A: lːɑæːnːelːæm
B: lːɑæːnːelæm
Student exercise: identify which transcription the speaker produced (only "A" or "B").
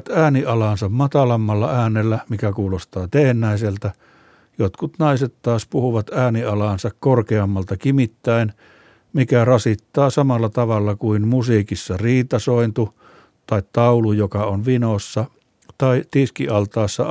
A